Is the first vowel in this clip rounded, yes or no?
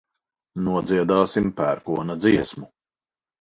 yes